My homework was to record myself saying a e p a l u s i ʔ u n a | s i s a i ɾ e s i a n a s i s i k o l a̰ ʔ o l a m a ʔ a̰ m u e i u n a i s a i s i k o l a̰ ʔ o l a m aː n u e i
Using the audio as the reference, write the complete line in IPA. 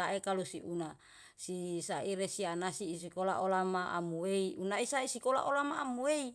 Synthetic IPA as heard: a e k a l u s i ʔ u n a | s i s a i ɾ e s i a n a s i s i k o l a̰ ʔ o l a m a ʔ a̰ m u e i u n a i s a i s i k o l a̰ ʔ o l a m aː m u e i